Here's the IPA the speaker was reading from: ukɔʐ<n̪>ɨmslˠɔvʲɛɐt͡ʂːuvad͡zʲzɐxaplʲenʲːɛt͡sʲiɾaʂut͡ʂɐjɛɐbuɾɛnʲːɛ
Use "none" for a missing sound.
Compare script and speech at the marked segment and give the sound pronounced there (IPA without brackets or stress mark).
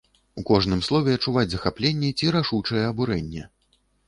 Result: n̪